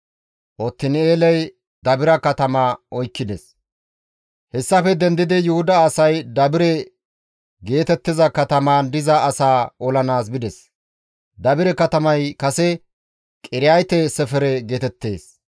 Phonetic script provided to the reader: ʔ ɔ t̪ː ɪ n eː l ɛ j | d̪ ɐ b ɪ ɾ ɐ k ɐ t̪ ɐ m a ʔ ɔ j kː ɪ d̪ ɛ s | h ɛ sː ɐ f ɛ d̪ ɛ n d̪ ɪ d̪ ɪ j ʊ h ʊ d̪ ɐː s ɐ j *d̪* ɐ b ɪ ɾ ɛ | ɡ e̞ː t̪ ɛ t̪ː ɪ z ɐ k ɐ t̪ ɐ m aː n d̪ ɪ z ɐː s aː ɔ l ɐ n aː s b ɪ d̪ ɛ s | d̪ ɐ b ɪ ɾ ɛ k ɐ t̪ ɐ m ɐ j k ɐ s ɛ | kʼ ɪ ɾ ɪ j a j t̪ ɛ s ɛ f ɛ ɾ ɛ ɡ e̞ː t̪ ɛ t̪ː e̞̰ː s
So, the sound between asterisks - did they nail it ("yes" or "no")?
yes